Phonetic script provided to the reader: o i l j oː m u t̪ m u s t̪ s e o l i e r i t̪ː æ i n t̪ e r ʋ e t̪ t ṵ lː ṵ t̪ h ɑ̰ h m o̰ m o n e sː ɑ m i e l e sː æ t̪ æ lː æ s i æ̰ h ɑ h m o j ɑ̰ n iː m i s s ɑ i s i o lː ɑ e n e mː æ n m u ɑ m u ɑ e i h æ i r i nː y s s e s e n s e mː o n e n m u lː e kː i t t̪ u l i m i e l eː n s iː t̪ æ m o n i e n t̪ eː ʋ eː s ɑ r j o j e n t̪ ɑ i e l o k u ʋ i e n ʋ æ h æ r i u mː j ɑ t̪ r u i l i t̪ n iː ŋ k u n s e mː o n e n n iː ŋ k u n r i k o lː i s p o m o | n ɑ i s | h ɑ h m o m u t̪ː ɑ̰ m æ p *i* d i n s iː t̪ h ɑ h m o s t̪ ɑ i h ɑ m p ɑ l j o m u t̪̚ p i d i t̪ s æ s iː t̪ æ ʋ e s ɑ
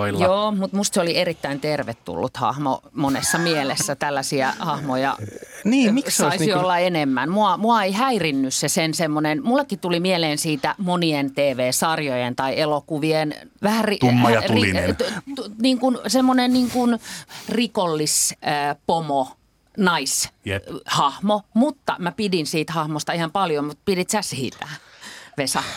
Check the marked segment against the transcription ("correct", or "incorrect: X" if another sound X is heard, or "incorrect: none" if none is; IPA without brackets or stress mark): correct